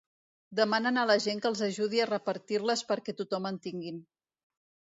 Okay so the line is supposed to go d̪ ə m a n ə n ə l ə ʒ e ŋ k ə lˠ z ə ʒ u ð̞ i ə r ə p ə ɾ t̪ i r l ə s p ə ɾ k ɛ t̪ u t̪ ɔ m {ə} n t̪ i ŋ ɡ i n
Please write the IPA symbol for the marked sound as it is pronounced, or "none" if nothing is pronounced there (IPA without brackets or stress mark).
ə